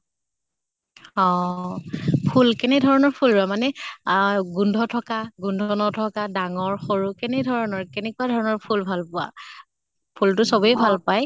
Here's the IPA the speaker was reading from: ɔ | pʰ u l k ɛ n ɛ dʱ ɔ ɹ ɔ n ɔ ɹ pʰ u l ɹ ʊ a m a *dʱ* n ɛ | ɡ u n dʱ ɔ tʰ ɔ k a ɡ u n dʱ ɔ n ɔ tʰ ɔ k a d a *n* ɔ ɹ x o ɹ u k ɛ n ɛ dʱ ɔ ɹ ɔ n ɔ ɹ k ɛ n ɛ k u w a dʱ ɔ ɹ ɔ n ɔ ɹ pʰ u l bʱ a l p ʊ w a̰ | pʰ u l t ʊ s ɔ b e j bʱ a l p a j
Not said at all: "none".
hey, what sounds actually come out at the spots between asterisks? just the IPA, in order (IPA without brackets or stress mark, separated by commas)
none, ŋ